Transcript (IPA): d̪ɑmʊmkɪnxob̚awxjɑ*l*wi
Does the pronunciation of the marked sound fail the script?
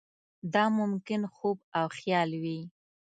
no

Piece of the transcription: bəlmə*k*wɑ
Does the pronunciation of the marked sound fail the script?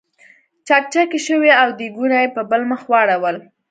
yes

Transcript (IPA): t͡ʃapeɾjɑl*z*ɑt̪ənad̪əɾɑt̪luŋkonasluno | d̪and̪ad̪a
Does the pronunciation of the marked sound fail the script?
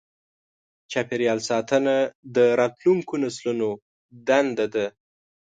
yes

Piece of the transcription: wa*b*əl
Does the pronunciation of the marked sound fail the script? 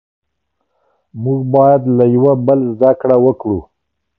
no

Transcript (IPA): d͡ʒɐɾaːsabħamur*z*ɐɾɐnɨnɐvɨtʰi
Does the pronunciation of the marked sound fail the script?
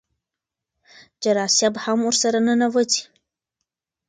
yes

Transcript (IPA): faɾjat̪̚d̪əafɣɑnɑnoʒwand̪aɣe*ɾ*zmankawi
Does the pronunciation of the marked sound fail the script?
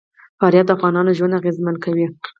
yes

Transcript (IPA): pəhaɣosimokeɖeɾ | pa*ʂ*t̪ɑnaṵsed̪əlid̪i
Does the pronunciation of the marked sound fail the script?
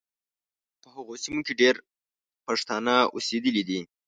no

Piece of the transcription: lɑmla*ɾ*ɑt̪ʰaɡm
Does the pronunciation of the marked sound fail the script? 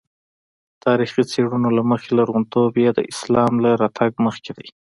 no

